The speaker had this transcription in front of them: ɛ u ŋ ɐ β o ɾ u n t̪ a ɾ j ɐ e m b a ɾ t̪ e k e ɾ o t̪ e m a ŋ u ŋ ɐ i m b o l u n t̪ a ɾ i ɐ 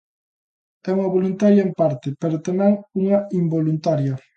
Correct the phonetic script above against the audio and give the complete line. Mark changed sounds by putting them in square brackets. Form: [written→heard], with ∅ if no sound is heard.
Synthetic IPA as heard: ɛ u ŋ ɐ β o [ɾ→l] u n t̪ a ɾ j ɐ e m [b→p] a ɾ t̪ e [k→p] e ɾ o t̪ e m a ŋ u ŋ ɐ i m b o l u n t̪ a ɾ [i→j] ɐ